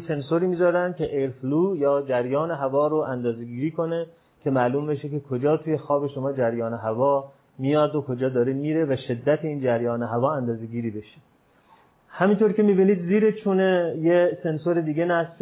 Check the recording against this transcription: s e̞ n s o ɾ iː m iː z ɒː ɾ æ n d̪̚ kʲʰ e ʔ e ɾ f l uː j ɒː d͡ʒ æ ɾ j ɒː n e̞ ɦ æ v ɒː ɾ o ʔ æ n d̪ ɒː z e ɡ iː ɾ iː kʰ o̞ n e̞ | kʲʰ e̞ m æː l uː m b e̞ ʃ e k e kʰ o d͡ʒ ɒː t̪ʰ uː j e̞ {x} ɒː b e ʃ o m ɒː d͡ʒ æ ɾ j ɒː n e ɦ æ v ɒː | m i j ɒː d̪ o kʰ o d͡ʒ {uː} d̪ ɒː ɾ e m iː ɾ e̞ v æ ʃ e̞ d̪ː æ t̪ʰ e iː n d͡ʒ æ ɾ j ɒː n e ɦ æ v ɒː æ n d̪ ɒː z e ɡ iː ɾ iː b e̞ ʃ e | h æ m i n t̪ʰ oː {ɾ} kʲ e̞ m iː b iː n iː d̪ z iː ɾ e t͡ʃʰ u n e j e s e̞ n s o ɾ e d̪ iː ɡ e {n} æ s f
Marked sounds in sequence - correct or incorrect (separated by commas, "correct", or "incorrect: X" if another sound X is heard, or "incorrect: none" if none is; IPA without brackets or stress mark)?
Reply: correct, incorrect: ɒː, correct, correct